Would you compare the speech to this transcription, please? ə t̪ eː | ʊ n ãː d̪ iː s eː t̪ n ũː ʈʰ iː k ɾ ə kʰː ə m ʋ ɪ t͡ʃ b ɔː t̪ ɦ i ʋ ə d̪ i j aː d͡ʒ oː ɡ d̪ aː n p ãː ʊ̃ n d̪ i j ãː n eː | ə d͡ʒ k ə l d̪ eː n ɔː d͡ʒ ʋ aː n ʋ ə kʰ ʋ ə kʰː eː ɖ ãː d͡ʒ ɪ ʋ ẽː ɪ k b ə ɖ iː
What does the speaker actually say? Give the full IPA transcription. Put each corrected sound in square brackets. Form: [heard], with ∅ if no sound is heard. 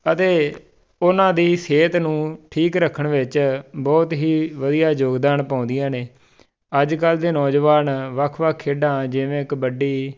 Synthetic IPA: ə t̪ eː | ʊ n ãː d̪ iː s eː t̪ n ũː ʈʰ iː k ɾ ə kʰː ə [ɳ] ʋ ɪ t͡ʃ b ɔː t̪ ɦ [iː] ʋ ə d̪ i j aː d͡ʒ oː ɡ d̪ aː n p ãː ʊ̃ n d̪ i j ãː n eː | ə d͡ʒ k ə l d̪ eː n ɔː d͡ʒ ʋ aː n ʋ ə kʰ ʋ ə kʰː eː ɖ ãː d͡ʒ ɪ ʋ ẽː ɪ k b ə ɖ iː